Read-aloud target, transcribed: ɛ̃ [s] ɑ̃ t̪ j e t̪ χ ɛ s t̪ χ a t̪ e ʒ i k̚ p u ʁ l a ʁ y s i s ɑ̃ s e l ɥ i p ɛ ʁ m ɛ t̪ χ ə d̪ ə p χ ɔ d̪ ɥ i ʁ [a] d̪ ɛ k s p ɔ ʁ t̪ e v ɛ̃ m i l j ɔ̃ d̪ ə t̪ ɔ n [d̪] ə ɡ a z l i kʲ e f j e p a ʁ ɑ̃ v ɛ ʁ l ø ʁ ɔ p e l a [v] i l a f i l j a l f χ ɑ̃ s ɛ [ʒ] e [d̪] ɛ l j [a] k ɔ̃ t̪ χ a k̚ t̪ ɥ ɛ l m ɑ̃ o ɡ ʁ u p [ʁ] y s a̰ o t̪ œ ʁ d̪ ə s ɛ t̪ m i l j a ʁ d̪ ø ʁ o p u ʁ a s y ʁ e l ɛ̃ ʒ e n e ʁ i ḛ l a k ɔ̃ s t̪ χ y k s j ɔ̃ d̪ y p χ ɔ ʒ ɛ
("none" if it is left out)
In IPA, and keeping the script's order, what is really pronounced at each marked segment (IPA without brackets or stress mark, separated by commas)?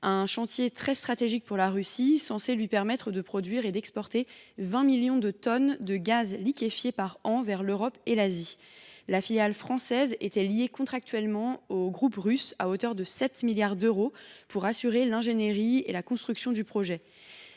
ʃ, e, d̪, z, z, t̪, e, ʁ